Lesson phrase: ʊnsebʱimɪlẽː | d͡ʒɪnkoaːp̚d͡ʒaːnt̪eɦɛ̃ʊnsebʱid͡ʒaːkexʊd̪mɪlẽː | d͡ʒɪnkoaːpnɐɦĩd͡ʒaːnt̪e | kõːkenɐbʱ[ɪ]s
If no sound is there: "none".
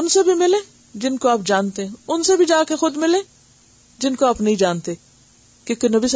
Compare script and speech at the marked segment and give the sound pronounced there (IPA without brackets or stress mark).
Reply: i